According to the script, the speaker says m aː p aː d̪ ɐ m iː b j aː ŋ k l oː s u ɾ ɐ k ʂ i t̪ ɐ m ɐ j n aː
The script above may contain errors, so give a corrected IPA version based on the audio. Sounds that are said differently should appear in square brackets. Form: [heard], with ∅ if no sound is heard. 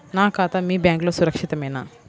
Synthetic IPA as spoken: [n] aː [k] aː [t̪] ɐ m iː b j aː ŋ k l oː s u ɾ ɐ k ʂ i t̪ ɐ m ɐ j n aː